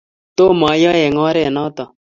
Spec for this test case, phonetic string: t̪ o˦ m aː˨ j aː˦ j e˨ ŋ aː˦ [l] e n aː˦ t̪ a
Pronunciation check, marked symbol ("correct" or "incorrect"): incorrect